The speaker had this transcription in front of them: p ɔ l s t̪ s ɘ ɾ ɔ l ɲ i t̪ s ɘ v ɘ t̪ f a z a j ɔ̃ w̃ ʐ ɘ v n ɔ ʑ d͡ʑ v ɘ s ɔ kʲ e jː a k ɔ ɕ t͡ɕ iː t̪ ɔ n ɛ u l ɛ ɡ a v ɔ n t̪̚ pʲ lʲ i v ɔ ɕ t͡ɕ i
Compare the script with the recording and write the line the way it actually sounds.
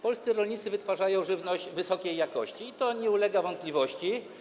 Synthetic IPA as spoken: p ɔ l s t̪ s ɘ ɾ ɔ l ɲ i t̪ s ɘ v ɘ t̪ f a ʐ a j ɔ̃ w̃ ʐ ɘ v n ɔ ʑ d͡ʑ v ɘ s ɔ kʲ e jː a k ɔ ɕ t͡ɕ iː t̪ ɔ ɲ ɛ u l ɛ ɡ a v ɔ n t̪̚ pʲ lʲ i v ɔ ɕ t͡ɕ i